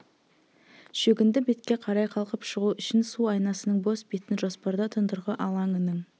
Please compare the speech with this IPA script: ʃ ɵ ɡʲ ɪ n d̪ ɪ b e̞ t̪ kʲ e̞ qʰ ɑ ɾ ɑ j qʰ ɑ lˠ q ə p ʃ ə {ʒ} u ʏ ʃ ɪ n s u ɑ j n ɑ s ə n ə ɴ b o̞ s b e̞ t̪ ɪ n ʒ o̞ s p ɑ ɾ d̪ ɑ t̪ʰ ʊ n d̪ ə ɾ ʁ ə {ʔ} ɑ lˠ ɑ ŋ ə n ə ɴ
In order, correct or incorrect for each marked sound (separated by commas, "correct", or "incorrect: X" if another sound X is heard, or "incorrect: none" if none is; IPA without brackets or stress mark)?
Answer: incorrect: ʁ, correct